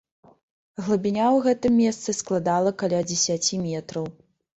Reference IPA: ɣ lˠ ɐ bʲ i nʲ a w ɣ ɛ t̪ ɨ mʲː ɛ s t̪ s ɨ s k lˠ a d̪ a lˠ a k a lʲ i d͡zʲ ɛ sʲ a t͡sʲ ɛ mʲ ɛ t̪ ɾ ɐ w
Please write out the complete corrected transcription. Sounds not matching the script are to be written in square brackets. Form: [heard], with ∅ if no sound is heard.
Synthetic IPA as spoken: ɣ lˠ ɐ bʲ i nʲ a w ɣ ɛ t̪ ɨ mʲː ɛ s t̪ s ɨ s k lˠ a d̪ a lˠ [ɐ] k a lʲ [a] d͡zʲ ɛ sʲ a t͡sʲ [i] mʲ ɛ t̪ ɾ ɐ w